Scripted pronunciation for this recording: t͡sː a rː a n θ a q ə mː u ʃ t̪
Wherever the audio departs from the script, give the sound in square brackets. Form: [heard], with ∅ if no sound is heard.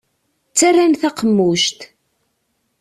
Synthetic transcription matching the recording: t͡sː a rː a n θ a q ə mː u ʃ t̪